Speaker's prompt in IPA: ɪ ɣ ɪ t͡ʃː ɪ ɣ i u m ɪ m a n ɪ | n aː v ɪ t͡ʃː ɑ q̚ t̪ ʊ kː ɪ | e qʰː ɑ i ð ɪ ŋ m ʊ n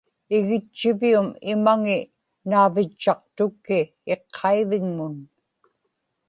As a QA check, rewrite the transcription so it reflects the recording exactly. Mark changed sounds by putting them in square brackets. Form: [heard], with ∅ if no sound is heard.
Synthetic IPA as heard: ɪ ɣ ɪ t͡ʃː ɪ [v] i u m ɪ m a [ŋ] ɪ | n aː v ɪ t͡ʃː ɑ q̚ t̪ ʊ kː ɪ | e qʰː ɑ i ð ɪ ŋ m ʊ n